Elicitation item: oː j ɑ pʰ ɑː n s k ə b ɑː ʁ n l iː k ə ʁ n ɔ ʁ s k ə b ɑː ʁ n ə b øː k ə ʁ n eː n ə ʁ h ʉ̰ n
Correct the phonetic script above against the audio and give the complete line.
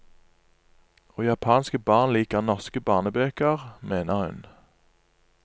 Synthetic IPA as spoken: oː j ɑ pʰ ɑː n s k ə b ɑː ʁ n l iː k ə ʁ n ɔ ʁ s k ə b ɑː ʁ n ə b øː k ə ʁ m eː n ə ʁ h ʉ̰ n